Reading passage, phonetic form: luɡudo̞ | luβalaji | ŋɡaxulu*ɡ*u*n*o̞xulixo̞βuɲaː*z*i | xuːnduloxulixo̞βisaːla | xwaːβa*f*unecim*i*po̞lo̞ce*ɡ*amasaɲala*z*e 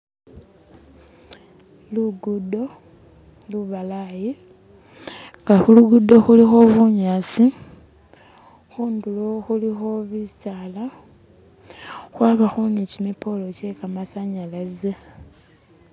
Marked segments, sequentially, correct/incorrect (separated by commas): correct, incorrect, incorrect, incorrect, correct, incorrect, correct